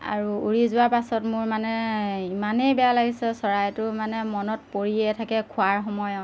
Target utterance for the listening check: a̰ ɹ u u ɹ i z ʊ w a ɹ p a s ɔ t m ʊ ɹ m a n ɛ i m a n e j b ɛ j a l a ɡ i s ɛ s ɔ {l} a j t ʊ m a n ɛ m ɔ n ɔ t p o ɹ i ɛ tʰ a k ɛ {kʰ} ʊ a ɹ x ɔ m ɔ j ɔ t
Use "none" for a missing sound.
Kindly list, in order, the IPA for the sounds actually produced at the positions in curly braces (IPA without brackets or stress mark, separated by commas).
ɹ, kʰ